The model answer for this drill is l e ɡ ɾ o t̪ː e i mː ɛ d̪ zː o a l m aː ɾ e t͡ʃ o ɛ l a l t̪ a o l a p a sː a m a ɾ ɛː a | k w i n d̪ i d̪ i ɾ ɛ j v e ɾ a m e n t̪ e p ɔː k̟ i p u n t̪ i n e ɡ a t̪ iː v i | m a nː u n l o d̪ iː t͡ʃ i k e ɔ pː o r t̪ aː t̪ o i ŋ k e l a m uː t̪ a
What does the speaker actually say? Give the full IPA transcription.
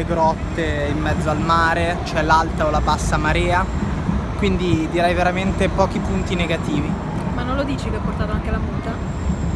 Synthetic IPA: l e ɡ ɾ ɔ t̪ː e i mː ɛ d̪ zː o a l m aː ɾ e t͡ʃ o ɛ l a l t̪ a o l a p a sː a m a ɾ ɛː a | k w i n d̪ i d̪ i ɾ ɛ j v e ɾ a m e n t̪ e p ɔː k̟ i p u n t̪ i n e ɡ a t̪ iː v i | m a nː o n l o d̪ iː t͡ʃ i k e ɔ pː o r t̪ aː t̪ o a ŋ k e l a m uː t̪ a

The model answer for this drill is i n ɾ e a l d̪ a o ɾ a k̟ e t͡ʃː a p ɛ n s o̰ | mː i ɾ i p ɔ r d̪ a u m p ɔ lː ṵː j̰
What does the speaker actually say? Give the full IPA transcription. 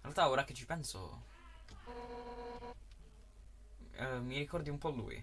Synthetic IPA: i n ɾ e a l t̪ a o ɾ a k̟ e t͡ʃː i p ɛ n s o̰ | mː i ɾ i k ɔ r d̪ i u m p ɔ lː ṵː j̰

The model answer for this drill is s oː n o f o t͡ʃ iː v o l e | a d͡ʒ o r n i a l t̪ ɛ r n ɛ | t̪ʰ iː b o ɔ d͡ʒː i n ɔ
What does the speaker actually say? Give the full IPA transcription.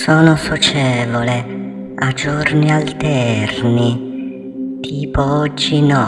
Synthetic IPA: s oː n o s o t͡ʃ ɛː v o l e | a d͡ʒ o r n i a l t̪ ɛ r n i | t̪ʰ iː p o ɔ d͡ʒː i n ɔ

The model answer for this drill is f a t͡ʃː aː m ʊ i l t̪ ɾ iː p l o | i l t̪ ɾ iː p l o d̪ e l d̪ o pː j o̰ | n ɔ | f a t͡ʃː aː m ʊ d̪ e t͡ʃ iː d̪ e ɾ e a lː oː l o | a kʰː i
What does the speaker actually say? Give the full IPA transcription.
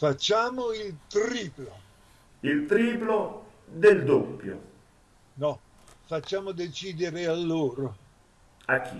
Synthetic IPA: f a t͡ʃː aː m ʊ i l t̪ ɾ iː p l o | i l t̪ ɾ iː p l o d̪ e l d̪ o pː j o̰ | n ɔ | f a t͡ʃː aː m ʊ d̪ e t͡ʃ iː d̪ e ɾ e a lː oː ɾ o | a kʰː i

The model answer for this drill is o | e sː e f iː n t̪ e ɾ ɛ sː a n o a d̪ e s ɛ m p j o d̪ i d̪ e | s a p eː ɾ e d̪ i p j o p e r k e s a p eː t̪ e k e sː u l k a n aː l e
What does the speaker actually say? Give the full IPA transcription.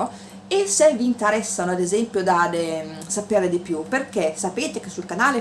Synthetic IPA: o | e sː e v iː n t̪ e ɾ ɛ sː a n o a d̪ e z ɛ m p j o d̪ a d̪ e | s a p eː ɾ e d̪ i p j u p e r k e s a p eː t̪ e k e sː u l k a n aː l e

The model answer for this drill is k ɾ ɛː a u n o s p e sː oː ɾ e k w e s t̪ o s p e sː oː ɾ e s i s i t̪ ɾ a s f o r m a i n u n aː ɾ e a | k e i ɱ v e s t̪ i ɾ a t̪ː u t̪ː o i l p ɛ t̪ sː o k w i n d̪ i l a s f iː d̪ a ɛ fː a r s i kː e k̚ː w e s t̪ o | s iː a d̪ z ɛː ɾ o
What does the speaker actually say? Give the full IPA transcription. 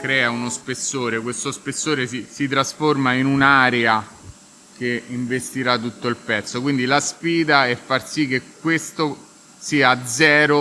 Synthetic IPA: k ɾ ɛː a u n o s p e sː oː ɾ e k w e s t̪ o s p e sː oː ɾ e s i s i t̪ ɾ a s f o r m a i n u n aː ɾ e a | k e i ɱ v e s t̪ i ɾ a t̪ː u t̪ː o i l p ɛ t̪ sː o k w i n d̪ i l a s f iː d̪ a ɛ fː a r s i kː e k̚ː w e s t̪ o | s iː a d̪ z ɛː ɾ o

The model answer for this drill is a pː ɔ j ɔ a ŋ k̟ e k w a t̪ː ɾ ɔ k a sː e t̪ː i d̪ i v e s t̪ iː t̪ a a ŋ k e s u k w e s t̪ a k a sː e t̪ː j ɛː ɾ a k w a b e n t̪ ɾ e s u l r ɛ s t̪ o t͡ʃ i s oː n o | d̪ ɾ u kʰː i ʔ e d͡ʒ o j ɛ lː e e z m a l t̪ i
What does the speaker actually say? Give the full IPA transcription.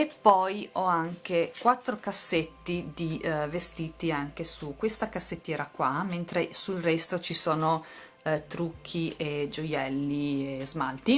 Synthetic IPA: e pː ɔ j ɔ a ŋ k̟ e k w a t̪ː ɾ o k a sː e t̪ː i d̪ i v e s t̪ iː t̪ i a ŋ k e s u k w e s t̪ a k a sː e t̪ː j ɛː ɾ a k w a m e n t̪ ɾ e s u l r ɛ s t̪ o t͡ʃ i s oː n o | t̪ ɾ u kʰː i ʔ e d͡ʒ o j ɛ lː i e z m a l t̪ i

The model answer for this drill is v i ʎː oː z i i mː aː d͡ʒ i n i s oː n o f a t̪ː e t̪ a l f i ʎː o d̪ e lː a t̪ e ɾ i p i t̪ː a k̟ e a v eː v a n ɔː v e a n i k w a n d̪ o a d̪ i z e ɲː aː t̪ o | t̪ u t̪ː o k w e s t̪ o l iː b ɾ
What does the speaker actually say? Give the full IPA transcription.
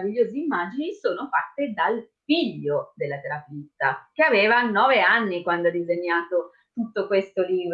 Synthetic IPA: v i ʎː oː z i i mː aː d͡ʒ i n i s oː n o f a t̪ː e d̪ a l f i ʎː o d̪ e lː a t̪ e ɾ a p i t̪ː a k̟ e a v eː v a n ɔː v e a nː i k w a n d̪ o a d̪ i z e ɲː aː t̪ o | t̪ u t̪ː o k w e s t̪ o l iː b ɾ

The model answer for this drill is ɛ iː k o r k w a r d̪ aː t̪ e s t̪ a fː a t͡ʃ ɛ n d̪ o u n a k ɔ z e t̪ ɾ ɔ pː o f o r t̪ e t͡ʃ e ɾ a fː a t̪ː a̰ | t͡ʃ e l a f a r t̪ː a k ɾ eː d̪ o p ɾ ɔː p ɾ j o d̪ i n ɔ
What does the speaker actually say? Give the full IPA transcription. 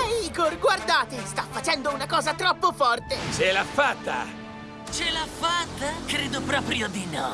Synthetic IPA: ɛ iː k o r ɡ w a r d̪ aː t̪ e s t̪ a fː a t͡ʃ ɛ n d̪ o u n a k ɔː z a t̪ ɾ ɔ pː o f ɔ r t̪ e t͡ʃ e l a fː a t̪ː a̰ | t͡ʃ e l a f a t̪ː a k ɾ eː d̪ o p ɾ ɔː p ɾ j o d̪ i n ɔ

